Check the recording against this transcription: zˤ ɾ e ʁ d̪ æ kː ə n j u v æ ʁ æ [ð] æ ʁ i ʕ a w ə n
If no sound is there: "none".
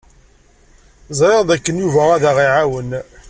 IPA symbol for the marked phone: ð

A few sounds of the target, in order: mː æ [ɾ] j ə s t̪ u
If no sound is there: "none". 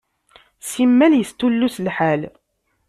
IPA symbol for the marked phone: l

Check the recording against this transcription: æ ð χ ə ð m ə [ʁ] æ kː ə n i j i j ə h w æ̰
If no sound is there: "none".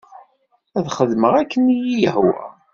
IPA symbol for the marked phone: ʁ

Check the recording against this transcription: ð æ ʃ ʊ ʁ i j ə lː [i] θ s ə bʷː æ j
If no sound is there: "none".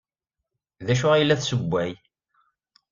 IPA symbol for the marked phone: æ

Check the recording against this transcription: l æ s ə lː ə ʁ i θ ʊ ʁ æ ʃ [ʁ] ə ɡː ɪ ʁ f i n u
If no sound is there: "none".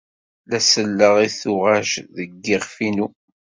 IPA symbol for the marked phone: ð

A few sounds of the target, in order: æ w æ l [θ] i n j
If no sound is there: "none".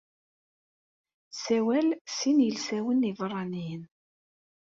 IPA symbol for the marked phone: s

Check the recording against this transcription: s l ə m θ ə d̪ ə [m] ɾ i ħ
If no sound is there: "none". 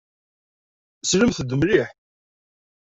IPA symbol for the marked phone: m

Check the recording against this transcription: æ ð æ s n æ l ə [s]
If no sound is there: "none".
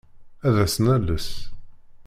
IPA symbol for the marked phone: s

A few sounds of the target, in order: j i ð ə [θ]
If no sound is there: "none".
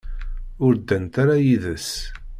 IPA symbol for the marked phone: s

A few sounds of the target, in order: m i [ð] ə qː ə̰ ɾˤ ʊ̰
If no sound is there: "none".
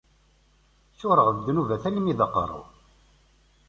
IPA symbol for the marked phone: ð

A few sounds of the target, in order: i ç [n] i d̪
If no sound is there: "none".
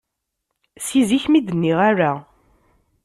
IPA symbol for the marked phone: m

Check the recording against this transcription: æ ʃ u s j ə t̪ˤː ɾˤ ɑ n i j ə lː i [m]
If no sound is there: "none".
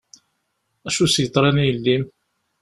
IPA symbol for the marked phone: m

